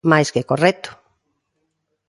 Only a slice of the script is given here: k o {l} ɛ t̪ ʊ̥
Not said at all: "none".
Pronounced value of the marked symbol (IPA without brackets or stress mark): r